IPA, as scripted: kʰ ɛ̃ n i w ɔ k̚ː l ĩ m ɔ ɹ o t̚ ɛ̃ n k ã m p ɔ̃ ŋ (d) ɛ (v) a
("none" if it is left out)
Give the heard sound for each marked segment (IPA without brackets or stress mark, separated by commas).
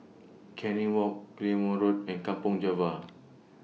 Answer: d͡ʒ, v